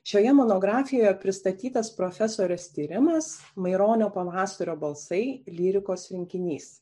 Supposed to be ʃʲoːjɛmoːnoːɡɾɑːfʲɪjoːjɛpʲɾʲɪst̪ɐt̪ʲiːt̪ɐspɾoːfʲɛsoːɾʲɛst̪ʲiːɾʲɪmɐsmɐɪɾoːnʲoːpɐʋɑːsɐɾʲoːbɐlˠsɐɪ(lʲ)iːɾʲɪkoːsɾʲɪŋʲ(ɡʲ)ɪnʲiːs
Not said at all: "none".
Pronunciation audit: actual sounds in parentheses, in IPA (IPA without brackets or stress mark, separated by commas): lʲ, kʲ